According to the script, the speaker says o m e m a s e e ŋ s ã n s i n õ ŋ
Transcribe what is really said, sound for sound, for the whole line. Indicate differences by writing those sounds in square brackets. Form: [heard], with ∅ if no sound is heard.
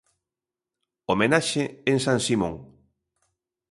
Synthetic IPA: o m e [n] a [ʃ] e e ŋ s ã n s i [m] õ ŋ